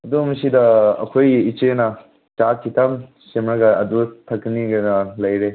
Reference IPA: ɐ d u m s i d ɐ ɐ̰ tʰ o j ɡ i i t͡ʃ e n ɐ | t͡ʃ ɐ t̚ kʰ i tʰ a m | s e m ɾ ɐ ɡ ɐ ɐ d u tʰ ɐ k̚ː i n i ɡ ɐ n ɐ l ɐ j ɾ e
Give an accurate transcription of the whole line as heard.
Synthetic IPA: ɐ d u m s i d ɐ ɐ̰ kʰ o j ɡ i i t͡ʃ e n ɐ | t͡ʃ a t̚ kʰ i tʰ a m | s e m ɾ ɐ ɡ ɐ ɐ d u tʰ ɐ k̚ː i n i ɡ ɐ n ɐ l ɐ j ɾ e